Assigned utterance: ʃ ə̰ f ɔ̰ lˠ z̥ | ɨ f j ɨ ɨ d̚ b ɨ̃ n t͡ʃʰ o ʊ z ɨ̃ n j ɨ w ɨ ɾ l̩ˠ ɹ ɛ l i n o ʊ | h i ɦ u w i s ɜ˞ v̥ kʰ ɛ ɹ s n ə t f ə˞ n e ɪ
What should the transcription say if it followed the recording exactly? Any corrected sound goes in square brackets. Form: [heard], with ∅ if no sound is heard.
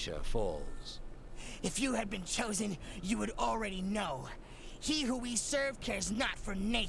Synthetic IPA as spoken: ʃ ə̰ f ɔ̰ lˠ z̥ | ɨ f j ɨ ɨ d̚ b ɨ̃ n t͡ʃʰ o ʊ z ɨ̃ n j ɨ w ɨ ɾ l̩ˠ ɹ ɛ [ɾ] i n o ʊ | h i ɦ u w i s ɜ˞ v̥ kʰ ɛ ɹ [z] n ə t f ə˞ n e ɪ